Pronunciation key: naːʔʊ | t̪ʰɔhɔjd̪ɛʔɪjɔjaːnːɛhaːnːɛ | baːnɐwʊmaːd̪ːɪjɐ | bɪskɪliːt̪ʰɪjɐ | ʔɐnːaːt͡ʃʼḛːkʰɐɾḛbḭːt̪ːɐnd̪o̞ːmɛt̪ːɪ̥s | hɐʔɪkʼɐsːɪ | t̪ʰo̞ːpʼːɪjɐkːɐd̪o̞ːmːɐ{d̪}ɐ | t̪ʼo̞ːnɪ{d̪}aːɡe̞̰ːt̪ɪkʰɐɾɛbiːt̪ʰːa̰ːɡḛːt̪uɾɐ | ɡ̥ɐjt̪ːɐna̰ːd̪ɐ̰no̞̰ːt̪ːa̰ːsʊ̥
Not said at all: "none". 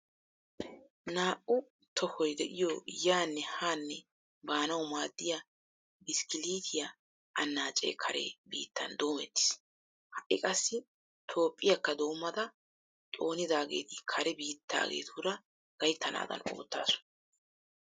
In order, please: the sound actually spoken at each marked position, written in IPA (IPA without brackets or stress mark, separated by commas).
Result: d̪, d̪